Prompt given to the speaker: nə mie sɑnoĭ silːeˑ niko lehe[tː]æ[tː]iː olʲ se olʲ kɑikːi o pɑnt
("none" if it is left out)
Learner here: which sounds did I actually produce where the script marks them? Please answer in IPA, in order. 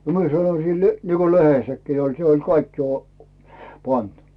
sː, kː

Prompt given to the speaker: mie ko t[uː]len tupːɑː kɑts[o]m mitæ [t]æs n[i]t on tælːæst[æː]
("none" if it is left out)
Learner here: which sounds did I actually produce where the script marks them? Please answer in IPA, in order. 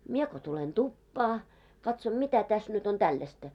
u, o, t, y, æ

